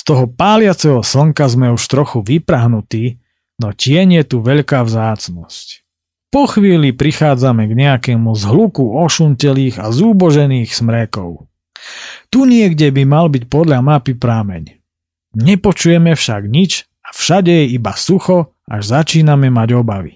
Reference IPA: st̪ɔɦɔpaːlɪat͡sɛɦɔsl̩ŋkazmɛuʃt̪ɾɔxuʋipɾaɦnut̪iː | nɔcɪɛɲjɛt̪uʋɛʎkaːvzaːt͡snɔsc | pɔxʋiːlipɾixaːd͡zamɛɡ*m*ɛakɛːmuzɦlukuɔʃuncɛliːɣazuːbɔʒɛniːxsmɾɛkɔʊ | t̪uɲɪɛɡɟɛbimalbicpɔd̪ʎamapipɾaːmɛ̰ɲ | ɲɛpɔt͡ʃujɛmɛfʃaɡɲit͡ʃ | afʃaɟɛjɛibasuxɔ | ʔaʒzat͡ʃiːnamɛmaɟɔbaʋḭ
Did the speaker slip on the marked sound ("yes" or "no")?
yes